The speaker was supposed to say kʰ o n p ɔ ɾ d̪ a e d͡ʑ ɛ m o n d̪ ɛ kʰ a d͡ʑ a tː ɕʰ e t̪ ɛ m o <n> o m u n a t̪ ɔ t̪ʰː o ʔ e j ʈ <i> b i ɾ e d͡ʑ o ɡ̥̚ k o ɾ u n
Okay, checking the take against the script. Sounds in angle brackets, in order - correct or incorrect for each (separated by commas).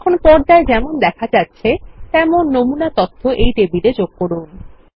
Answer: incorrect, incorrect